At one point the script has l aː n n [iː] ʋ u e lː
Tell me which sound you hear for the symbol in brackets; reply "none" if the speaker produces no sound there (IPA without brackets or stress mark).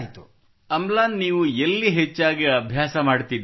iː